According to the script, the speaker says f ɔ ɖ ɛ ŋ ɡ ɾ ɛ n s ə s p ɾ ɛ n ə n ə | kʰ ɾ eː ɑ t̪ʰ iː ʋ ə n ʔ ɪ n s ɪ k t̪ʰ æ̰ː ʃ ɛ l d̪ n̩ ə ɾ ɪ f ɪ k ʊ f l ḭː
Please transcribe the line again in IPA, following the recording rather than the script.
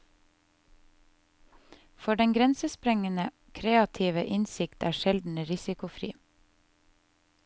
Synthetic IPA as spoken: f ɔ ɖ ɛ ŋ ɡ ɾ ɛ n s ə s p ɾ ɛ ŋ ə n ə | kʰ ɾ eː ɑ t̪ʰ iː ʋ ə ʔ ɪ n s ɪ k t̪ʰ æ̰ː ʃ ɛ l d̪ n̩ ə ɾ ɪ s ɪ k ʊ f ɾ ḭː